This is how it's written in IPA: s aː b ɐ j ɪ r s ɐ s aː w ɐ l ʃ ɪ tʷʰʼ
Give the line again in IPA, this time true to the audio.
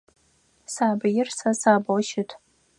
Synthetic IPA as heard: s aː b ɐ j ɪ r s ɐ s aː b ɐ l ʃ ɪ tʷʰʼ